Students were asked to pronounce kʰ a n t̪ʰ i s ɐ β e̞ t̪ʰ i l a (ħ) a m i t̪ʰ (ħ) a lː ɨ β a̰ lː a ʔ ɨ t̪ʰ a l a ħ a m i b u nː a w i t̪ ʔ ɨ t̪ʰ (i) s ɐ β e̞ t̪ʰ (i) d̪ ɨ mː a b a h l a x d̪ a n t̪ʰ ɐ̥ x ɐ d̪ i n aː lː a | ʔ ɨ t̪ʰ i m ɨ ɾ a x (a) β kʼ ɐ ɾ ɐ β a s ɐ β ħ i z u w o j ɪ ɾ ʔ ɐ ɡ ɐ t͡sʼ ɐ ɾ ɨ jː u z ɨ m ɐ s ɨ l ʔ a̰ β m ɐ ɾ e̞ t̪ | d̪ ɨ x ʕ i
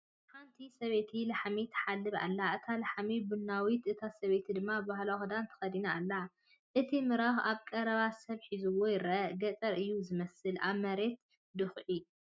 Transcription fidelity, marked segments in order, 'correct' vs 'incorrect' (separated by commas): correct, correct, incorrect, correct, correct